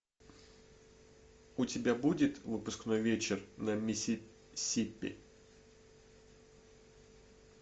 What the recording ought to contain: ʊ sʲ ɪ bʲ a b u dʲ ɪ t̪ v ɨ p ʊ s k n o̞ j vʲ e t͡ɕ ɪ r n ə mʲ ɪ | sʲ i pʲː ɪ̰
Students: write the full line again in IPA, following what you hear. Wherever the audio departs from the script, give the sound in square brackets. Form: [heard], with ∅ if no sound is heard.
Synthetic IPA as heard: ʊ [tʲ] ɪ bʲ a b u dʲ ɪ t̪ v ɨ p ʊ s k n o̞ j vʲ e t͡ɕ ɪ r n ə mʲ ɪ | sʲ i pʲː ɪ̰